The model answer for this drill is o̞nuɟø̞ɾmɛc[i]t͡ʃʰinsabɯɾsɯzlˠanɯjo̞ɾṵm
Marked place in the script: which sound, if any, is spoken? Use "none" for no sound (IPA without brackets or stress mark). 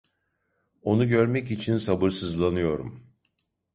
i